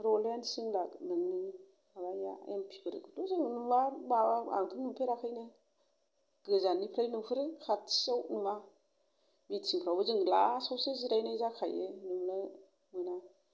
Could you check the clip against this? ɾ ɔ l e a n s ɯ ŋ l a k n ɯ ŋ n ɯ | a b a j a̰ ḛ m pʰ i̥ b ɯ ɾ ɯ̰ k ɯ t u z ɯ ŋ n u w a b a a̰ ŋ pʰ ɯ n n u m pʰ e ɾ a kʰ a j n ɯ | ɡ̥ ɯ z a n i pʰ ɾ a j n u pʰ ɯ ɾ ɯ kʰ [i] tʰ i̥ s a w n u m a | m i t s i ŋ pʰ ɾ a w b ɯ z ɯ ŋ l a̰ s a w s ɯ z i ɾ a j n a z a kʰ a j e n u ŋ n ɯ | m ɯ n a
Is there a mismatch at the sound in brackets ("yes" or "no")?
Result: yes